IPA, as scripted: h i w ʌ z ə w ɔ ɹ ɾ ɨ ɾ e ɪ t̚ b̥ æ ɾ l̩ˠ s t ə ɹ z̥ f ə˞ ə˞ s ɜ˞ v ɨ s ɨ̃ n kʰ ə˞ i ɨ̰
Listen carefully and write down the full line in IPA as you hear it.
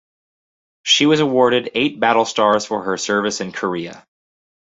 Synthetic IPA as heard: ʃ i w ʌ z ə w ɔ ɹ ɾ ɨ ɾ e ɪ t̚ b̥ æ ɾ l̩ˠ s t ɑ ɹ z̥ f ə˞ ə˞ s ɜ˞ v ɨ s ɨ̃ n kʰ ə˞ i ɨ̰